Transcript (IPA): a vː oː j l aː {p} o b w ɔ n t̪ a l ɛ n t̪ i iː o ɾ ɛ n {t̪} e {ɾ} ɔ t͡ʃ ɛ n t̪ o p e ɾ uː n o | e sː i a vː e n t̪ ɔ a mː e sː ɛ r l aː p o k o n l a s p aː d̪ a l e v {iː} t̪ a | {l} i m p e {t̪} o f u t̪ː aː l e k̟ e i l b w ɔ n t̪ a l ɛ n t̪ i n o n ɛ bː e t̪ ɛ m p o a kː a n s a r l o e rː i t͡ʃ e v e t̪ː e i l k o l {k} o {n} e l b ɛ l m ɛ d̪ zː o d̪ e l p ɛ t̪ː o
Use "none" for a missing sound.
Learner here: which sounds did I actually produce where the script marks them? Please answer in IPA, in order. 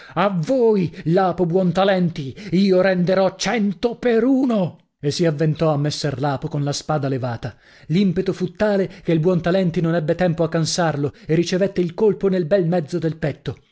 p, d̪, ɾ, aː, l, t̪, p, n

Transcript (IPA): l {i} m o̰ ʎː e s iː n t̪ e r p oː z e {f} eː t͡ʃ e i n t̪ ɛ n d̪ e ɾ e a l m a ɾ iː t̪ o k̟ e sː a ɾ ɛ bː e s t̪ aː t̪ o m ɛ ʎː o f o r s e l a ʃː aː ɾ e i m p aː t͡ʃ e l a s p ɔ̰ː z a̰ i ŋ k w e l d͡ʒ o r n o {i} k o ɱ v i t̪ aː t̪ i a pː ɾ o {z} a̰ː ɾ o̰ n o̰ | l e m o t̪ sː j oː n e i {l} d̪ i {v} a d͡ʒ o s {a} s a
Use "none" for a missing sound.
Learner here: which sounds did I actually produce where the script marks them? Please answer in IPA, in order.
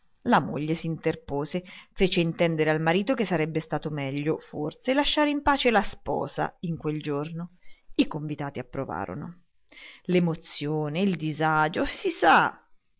a, f, i, v, l, z, i

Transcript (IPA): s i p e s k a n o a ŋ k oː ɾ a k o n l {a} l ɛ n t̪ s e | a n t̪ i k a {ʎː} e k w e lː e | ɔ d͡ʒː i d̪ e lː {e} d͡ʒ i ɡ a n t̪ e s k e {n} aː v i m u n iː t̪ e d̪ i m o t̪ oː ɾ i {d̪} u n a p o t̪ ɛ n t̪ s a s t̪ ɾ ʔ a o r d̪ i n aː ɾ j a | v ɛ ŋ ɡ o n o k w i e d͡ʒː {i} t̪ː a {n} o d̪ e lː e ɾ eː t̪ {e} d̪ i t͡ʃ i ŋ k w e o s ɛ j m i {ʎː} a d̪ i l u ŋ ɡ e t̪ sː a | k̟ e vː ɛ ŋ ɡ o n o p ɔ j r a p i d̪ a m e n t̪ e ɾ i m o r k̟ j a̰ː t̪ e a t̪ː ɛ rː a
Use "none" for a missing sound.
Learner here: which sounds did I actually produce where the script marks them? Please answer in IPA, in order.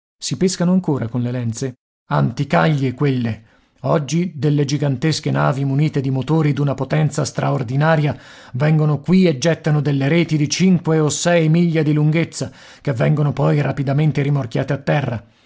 e, ʎː, e, n, d̪, ɛ, n, i, ʎː

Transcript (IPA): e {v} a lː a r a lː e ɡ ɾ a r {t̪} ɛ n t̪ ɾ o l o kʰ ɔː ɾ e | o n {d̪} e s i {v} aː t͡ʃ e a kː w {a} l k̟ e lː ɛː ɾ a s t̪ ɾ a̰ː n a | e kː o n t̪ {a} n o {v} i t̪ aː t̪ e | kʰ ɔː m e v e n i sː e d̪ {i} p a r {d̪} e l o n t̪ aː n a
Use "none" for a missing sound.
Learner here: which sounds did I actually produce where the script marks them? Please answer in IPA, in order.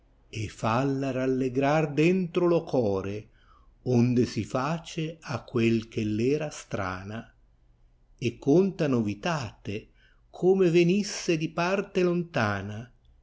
f, d̪, d̪, f, e, a, v, i, t̪

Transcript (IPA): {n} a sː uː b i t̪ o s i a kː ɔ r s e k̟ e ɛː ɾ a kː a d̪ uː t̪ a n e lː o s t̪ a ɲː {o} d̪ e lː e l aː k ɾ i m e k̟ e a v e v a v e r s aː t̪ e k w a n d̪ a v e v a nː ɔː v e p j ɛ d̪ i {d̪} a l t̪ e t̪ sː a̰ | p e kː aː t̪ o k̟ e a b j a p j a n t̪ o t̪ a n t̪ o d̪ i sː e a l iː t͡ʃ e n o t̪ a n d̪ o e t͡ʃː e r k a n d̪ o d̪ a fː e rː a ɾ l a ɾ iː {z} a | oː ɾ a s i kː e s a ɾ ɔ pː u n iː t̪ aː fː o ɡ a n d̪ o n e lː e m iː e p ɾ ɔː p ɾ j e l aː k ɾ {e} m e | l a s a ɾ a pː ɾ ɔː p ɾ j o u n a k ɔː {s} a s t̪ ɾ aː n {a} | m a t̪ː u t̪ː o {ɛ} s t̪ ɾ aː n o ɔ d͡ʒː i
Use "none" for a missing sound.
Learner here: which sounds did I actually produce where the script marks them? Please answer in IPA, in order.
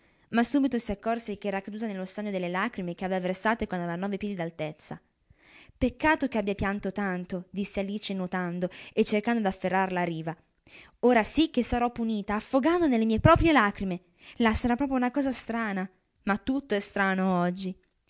m, o, d̪, v, i, z, a, ɛ

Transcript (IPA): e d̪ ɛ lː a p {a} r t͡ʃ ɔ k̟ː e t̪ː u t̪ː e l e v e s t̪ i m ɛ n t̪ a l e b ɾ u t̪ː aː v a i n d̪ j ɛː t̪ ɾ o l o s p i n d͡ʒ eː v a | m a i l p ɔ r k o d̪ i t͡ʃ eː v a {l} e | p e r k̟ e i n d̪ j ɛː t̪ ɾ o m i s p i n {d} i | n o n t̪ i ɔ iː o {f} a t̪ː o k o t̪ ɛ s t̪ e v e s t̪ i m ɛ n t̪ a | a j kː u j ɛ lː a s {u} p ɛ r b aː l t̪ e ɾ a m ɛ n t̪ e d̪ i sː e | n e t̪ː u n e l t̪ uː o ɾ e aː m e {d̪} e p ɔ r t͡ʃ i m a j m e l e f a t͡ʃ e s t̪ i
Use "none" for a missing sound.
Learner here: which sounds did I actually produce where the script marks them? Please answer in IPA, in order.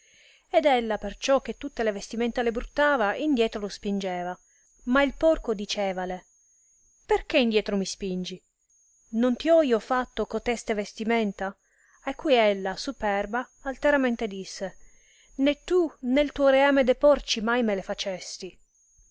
e, l, d͡ʒ, f, u, d̪

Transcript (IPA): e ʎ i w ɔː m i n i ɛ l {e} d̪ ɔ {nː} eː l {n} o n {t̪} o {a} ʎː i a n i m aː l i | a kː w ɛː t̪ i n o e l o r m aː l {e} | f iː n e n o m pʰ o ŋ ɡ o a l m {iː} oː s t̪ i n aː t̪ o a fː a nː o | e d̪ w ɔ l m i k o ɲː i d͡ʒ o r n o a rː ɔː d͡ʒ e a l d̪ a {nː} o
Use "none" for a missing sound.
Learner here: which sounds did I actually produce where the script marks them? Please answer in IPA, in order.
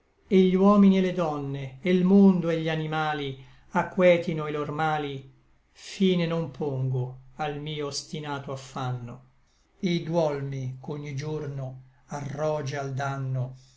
e, nː, m, d̪, e, i, iː, nː

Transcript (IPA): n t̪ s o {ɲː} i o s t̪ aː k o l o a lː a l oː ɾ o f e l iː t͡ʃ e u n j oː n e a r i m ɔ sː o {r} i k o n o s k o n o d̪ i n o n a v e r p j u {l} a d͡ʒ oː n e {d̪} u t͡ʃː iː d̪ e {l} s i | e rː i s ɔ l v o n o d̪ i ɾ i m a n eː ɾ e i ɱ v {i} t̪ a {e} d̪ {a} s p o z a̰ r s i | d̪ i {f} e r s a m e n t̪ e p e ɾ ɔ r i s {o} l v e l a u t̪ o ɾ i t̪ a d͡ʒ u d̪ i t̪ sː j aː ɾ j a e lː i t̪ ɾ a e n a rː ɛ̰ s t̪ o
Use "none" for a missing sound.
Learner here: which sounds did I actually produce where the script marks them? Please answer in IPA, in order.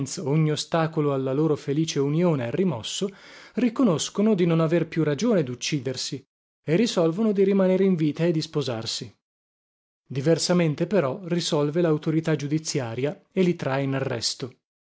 ɲː, r, r, d̪, r, iː, e, i, v, ɔ

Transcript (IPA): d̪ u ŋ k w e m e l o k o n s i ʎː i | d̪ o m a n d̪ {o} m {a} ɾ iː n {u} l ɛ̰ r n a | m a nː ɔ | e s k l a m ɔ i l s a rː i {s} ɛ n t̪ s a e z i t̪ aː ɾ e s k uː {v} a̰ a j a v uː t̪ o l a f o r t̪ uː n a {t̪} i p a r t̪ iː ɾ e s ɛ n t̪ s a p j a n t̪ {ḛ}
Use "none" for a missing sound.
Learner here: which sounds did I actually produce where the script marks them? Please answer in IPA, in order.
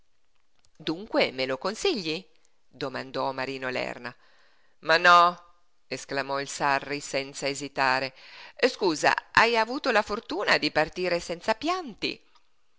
ɔ, a, o, s, z, d̪, ḭ

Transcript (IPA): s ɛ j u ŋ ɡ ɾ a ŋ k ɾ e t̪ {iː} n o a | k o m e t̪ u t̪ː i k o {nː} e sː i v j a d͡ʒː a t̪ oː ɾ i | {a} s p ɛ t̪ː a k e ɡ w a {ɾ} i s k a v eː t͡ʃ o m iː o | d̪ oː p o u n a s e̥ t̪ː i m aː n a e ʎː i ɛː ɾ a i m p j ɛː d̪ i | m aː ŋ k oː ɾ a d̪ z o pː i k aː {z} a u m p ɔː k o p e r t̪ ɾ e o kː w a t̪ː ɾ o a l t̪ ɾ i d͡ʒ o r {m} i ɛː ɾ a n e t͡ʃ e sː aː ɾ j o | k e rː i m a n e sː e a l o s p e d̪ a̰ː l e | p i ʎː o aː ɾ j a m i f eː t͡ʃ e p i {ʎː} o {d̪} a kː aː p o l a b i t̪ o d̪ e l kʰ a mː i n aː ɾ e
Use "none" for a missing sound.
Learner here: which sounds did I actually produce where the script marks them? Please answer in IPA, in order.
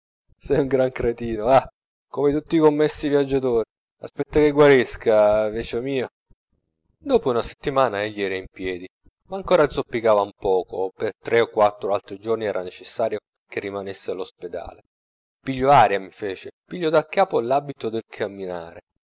iː, mː, a, ɾ, v, n, ʎː, d̪

